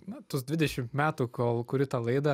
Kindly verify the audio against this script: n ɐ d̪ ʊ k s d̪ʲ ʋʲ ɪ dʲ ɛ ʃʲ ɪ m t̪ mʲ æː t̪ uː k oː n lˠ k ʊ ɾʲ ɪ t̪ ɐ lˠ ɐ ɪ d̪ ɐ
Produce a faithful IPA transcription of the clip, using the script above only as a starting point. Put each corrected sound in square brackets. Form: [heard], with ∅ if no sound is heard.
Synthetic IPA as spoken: n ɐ [t̪] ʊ [∅] s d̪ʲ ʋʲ ɪ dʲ ɛ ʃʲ ɪ m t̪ mʲ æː t̪ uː k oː [∅] lˠ k ʊ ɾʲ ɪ t̪ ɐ lˠ ɐ ɪ d̪ ɐ